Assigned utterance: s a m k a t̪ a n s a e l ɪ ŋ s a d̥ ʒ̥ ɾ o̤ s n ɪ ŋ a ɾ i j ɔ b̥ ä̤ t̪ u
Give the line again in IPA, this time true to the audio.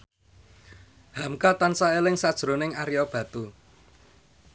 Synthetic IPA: h a m k a t̪ a n s a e l ɪ ŋ s a d̥ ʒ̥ ɾ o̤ n ɪ ŋ a ɾ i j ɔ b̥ ä̤ t̪ u